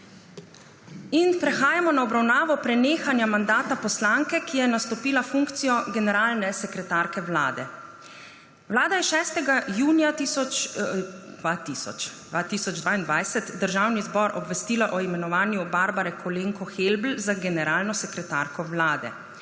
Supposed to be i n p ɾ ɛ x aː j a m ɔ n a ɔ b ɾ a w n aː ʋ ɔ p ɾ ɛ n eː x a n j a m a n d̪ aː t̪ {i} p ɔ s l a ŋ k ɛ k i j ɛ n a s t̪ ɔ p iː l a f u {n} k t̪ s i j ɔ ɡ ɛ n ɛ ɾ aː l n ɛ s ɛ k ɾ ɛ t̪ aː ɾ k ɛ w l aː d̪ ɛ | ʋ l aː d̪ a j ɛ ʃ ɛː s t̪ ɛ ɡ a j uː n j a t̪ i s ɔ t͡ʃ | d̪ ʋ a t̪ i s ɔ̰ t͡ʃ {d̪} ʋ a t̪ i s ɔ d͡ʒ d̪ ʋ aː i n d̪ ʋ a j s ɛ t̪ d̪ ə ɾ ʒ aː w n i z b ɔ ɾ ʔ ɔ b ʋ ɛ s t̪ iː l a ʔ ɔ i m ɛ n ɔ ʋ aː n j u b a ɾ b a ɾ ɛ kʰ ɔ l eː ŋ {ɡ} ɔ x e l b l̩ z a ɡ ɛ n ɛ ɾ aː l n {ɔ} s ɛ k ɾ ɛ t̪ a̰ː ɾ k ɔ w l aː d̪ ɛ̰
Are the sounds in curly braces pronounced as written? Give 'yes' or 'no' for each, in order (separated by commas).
no, no, yes, no, yes